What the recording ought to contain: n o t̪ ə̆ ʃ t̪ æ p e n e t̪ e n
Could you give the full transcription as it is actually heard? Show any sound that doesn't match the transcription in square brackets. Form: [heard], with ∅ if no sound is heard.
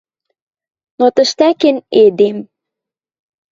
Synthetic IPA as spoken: n o t̪ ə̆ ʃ t̪ æ [k] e n e [d̪] e [m]